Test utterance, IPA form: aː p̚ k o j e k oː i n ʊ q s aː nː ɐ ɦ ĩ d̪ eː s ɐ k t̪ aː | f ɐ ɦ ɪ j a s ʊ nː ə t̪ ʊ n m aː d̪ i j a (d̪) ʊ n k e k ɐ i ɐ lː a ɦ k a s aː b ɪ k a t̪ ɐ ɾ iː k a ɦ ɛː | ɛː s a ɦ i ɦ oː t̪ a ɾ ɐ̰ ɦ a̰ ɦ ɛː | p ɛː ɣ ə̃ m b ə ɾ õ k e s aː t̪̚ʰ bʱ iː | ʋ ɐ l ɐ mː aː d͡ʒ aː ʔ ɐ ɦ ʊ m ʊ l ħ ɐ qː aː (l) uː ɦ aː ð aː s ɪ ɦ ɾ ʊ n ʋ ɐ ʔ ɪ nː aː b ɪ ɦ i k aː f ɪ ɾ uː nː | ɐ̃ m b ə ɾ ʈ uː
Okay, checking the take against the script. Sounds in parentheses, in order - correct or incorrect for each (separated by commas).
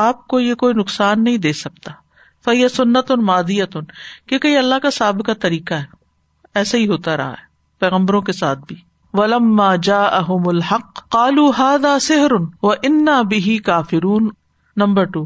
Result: incorrect, correct